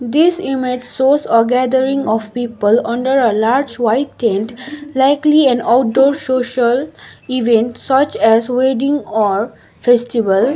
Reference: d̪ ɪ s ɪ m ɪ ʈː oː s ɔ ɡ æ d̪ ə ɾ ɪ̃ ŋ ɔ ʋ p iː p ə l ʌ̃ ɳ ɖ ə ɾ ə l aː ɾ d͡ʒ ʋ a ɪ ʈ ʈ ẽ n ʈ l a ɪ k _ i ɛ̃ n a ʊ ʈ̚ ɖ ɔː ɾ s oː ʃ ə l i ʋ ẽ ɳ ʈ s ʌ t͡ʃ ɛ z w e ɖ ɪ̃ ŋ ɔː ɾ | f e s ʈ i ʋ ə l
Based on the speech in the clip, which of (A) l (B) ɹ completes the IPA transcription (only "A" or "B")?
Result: A